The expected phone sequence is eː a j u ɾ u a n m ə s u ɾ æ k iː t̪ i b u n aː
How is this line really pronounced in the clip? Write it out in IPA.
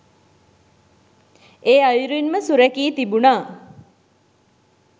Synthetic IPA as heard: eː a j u ɾ u i n m ə s u ɾ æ k iː t̪ i b u n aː